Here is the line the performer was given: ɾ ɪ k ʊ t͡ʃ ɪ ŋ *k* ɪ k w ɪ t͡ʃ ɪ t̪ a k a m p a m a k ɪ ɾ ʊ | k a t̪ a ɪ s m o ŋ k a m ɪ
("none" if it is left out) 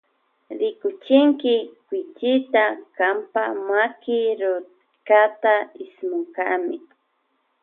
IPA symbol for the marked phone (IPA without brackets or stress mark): k